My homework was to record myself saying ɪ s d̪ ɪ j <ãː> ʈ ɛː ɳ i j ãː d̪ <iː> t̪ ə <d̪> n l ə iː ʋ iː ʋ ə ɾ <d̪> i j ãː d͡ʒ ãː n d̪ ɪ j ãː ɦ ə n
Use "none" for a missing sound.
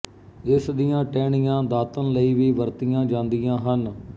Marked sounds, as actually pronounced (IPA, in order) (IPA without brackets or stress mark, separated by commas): ãː, aː, none, t̪